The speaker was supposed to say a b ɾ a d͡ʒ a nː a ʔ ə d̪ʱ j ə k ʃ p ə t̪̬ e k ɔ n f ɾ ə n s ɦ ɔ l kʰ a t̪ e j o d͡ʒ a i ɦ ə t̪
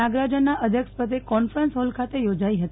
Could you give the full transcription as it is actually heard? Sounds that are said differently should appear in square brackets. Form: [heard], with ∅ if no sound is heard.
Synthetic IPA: a [ɡ] ɾ a d͡ʒ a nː a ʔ ə d̪ʱ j ə k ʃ p ə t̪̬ e k ɔ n f ɾ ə n s ɦ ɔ l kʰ a t̪ e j o d͡ʒ a i ɦ ə t̪